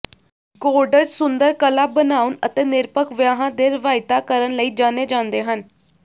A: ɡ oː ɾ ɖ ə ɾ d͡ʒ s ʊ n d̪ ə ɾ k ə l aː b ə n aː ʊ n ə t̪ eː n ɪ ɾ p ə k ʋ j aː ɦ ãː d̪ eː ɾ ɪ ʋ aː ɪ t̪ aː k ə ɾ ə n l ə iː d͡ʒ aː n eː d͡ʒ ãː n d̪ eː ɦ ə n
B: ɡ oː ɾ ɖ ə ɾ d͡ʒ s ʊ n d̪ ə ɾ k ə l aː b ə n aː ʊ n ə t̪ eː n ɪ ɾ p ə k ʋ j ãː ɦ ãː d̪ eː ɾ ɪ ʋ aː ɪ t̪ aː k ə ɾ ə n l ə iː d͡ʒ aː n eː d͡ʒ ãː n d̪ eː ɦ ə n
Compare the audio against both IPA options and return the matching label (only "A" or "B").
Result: A